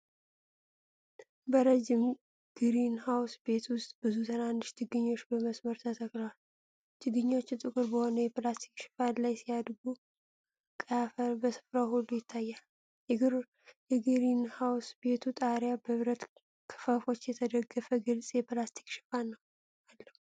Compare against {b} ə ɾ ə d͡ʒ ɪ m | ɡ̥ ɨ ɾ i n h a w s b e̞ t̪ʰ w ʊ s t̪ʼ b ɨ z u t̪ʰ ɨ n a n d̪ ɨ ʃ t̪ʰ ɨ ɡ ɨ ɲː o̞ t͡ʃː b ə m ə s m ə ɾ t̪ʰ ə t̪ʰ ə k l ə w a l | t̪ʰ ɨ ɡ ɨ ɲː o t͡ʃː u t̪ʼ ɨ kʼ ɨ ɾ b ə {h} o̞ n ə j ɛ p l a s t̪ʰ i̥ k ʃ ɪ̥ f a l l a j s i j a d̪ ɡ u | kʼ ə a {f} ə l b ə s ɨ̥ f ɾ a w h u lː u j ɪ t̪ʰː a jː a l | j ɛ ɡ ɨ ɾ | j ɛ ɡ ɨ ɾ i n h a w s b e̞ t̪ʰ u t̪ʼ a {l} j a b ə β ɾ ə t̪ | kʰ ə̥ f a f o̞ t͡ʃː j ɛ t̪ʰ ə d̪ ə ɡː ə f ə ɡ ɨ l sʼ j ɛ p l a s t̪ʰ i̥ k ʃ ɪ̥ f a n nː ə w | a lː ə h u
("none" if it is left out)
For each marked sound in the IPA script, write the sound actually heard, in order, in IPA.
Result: b, h, f, ɾ

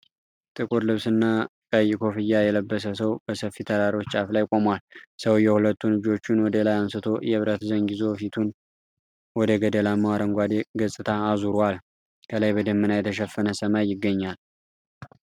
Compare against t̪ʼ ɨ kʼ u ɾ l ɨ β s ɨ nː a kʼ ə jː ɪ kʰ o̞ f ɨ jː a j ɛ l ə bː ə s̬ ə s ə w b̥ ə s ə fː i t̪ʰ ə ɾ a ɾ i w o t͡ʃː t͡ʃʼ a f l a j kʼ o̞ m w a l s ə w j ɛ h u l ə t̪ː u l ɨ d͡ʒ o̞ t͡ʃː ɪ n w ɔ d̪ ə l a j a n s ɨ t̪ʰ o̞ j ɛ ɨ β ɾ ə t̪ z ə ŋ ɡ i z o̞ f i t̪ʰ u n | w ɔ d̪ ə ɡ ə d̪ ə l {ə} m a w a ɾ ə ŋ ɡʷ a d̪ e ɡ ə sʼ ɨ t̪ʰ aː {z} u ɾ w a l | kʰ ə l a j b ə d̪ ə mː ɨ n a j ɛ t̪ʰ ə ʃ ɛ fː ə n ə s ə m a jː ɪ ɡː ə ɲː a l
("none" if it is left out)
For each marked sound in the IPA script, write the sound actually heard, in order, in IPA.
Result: a, z

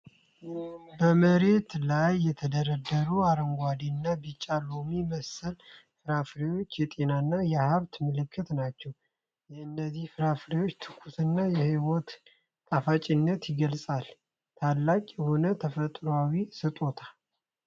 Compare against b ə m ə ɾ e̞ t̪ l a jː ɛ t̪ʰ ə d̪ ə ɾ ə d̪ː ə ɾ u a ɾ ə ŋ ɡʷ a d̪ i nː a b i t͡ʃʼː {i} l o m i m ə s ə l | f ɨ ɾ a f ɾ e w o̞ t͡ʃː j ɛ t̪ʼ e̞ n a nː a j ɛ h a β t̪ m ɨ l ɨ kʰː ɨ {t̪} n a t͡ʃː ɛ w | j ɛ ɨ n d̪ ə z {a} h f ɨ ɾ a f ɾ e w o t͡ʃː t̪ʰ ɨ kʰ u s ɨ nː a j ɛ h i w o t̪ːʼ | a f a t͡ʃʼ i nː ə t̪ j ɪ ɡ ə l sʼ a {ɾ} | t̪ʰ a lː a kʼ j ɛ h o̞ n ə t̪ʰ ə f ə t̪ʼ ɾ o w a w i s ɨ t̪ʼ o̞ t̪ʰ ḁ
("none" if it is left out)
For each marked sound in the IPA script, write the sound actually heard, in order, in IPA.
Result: a, t̪, i, l

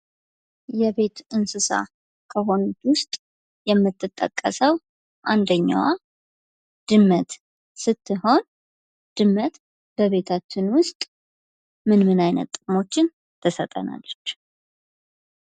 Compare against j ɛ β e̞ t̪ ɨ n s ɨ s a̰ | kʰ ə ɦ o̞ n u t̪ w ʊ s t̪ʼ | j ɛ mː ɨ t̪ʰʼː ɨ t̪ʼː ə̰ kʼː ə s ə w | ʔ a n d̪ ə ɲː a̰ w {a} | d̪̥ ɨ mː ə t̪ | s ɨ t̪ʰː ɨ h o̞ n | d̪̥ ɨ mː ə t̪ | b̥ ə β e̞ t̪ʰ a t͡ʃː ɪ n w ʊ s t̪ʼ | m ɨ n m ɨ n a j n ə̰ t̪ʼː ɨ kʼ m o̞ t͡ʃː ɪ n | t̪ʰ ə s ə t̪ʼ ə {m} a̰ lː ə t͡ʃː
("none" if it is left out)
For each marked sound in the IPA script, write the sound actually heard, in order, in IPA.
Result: a, n

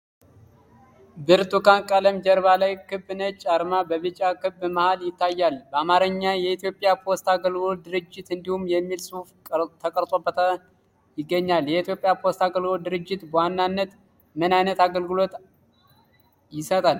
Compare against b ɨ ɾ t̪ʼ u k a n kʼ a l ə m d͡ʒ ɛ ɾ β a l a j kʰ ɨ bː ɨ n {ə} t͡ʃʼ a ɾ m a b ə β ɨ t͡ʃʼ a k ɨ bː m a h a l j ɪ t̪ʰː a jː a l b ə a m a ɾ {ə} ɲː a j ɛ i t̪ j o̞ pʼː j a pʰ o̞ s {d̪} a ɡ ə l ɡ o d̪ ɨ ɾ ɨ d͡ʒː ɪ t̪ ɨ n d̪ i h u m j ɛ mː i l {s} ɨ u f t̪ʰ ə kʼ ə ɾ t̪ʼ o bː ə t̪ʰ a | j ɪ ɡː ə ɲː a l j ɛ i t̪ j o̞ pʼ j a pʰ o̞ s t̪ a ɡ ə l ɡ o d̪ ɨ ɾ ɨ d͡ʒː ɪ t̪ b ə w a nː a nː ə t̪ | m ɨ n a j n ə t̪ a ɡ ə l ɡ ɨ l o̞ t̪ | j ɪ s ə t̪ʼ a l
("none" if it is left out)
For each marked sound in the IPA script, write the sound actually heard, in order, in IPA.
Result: ə, ə, t̪, s

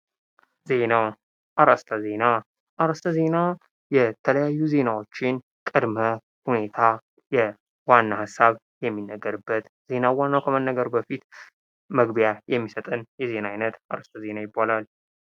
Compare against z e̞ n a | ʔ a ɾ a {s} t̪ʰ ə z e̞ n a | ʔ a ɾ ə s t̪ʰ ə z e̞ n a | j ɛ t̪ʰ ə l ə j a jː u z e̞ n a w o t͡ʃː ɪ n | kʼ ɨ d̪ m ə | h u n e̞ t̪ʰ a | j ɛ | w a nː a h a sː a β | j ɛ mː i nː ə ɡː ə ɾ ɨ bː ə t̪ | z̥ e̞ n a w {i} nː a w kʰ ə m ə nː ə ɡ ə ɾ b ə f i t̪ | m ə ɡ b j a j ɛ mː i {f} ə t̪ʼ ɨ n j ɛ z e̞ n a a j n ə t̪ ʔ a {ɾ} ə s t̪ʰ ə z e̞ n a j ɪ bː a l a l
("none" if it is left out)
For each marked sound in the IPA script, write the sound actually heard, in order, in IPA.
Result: s, a, s, ɾ

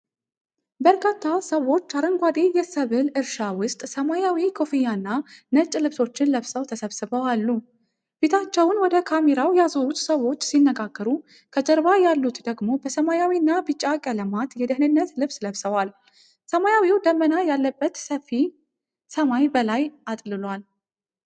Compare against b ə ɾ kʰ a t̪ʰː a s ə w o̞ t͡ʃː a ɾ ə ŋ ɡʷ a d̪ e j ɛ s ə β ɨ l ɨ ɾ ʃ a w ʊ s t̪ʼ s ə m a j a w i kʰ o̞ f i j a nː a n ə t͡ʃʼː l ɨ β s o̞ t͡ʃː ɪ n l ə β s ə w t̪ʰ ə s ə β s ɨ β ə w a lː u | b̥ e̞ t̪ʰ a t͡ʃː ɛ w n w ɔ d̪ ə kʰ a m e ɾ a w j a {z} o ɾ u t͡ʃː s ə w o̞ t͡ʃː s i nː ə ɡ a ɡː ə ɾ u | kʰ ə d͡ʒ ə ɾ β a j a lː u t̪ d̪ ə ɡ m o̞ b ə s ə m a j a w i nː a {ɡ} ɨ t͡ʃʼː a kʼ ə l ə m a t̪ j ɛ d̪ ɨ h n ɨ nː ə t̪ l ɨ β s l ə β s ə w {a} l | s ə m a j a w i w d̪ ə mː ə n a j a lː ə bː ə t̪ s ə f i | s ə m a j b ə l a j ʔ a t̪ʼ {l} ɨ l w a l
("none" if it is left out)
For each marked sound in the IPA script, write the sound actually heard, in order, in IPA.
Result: z, b, a, l

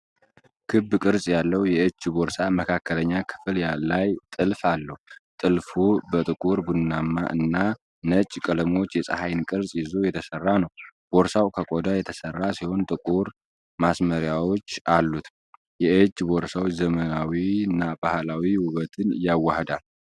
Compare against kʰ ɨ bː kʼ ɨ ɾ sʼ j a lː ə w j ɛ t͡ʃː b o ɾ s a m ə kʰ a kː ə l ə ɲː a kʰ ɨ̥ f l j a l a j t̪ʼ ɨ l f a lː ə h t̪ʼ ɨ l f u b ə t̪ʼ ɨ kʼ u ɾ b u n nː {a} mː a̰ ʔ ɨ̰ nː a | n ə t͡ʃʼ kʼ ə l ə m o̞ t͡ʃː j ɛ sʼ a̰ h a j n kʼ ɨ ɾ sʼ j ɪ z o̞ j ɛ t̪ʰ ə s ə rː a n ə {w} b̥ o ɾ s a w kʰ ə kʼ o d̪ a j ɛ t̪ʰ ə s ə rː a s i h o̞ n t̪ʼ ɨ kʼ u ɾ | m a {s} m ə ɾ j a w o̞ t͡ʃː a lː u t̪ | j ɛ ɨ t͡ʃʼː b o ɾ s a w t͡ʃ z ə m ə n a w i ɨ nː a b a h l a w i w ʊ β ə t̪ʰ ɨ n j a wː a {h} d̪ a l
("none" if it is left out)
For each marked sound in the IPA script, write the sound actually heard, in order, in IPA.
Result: a, w, s, h

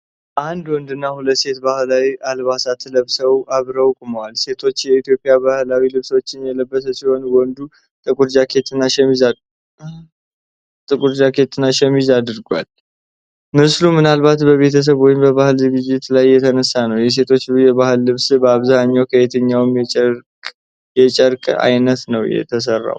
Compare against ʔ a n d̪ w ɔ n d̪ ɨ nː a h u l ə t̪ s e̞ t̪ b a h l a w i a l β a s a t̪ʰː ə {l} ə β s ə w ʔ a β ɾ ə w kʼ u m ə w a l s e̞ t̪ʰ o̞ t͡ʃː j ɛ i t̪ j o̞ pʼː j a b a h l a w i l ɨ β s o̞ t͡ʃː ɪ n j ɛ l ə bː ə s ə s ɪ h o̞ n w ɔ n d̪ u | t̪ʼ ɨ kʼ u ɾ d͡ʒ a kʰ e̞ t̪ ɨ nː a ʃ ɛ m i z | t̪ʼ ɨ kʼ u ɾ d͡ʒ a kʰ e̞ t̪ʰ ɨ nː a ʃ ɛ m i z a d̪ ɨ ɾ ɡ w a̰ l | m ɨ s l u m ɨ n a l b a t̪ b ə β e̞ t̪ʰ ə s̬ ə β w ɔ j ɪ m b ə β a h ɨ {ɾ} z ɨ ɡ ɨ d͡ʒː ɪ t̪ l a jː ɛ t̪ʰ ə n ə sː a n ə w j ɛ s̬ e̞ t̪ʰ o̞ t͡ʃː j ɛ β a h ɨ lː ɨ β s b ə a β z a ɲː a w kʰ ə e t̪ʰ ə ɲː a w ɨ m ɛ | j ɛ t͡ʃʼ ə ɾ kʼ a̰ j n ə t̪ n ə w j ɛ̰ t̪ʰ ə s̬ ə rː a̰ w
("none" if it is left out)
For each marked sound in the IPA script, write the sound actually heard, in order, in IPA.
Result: l, l

